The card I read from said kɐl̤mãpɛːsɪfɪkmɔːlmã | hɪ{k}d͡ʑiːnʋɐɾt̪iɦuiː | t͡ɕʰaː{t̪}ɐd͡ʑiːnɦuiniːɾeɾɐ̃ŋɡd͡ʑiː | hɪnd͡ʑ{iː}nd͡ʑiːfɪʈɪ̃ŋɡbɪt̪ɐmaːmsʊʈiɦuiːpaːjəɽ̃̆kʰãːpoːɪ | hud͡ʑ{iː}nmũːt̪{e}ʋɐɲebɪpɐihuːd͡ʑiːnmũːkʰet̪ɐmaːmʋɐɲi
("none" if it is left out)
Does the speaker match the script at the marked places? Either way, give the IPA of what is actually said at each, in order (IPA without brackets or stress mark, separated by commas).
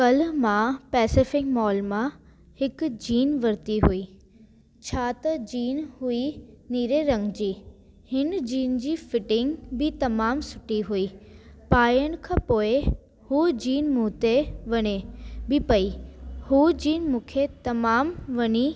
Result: k, t̪, iː, iː, e